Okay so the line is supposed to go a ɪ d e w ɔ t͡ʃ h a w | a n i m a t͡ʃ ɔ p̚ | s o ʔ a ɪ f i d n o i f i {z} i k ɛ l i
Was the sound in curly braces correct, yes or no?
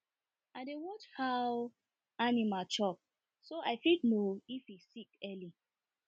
no